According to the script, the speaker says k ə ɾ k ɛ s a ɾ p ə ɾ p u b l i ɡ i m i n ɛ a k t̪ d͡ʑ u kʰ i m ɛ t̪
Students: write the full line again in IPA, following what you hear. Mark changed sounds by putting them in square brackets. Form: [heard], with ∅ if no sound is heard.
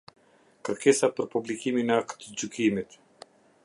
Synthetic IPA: k ə ɾ k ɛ s a [∅] p ə ɾ p u b l i [k] i m i n ɛ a k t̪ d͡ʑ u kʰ i m [i] t̪